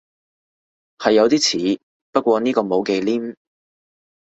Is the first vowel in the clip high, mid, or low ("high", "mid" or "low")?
low